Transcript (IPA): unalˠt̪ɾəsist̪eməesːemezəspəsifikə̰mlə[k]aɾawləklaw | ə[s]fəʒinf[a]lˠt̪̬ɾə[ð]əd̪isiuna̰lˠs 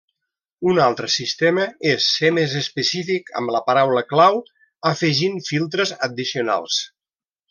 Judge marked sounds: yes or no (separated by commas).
no, no, no, no